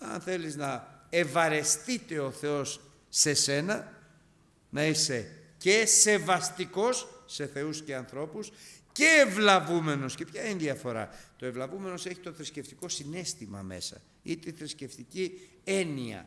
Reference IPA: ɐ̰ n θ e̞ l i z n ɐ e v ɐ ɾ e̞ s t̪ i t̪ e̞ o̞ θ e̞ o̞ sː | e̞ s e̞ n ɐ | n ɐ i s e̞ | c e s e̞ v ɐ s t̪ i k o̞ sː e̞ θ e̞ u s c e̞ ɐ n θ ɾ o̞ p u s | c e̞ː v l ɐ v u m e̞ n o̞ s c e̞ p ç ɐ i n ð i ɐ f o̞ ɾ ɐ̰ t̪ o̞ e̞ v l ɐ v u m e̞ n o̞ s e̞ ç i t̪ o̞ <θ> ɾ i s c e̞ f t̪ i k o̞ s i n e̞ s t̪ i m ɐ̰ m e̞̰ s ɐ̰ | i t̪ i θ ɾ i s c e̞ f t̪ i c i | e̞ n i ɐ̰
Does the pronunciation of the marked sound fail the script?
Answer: no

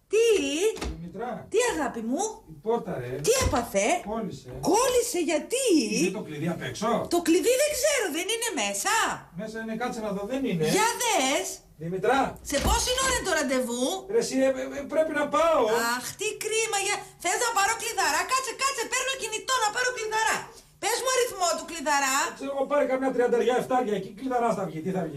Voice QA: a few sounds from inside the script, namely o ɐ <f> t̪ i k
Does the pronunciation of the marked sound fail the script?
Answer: yes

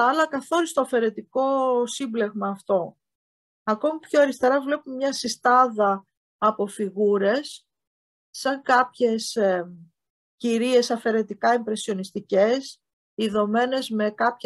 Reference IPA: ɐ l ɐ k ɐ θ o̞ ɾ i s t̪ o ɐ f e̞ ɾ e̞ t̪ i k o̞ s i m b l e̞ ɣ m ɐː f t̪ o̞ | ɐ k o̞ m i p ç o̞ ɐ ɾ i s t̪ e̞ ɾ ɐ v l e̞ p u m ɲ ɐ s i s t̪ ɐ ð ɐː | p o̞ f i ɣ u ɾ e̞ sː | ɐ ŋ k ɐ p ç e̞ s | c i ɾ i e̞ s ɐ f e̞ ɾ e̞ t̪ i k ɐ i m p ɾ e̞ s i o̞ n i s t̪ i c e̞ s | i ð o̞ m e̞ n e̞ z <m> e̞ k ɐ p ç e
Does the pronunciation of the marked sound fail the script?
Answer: no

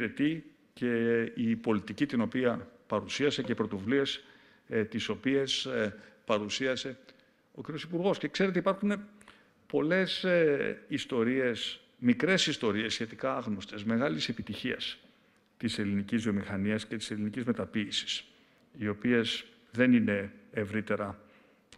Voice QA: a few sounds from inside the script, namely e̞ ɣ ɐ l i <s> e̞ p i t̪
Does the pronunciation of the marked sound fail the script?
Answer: no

